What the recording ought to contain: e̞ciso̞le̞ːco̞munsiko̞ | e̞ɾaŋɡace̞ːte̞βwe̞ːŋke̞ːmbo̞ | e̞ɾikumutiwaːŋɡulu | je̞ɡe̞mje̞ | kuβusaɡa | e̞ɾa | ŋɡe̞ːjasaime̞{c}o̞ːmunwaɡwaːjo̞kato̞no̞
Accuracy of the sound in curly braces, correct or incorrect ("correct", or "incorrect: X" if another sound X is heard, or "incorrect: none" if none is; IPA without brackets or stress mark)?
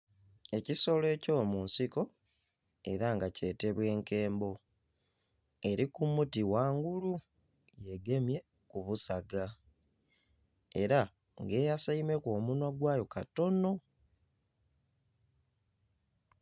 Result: incorrect: k